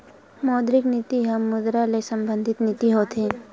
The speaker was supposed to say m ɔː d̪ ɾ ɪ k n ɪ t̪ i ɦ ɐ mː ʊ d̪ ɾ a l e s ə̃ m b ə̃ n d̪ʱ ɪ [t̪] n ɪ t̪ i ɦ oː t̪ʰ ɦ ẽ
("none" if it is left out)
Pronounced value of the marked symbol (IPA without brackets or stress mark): t̪